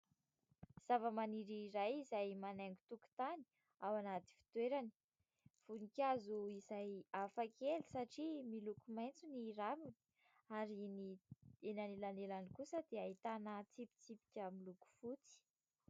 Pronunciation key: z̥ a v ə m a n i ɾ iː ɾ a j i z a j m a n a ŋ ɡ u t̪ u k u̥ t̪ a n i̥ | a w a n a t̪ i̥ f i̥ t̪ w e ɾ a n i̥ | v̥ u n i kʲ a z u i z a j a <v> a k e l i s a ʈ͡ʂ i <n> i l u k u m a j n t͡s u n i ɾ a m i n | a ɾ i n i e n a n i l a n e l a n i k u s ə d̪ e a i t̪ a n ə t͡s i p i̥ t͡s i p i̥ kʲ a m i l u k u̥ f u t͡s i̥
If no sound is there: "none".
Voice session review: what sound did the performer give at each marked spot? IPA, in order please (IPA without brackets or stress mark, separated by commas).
f, m